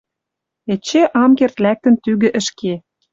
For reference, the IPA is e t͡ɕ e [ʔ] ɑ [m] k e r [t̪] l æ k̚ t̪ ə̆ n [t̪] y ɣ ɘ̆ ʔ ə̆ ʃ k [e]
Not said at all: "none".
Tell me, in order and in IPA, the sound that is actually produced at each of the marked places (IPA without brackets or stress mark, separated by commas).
ʔ, m, t̪, t̪, e